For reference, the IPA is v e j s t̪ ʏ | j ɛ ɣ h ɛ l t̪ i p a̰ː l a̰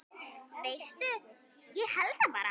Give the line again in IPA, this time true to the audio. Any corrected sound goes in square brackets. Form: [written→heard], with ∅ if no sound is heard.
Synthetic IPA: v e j s t̪ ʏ | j ɛ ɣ h ɛ l t̪ [i→a] p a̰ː [l→ɾ] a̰